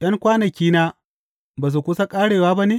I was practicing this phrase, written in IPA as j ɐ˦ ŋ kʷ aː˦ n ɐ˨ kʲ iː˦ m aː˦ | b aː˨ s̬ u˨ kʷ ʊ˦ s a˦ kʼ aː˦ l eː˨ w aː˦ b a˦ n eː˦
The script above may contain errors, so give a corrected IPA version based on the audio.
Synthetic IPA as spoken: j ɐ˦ ŋ kʷ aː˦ n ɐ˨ kʲ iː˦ n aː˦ | b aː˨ s̬ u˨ kʷ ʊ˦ s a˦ kʼ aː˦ ɽ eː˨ w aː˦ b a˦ n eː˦